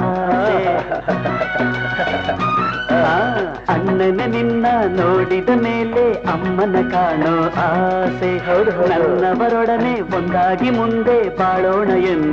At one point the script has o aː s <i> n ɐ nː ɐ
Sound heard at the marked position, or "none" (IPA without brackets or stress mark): e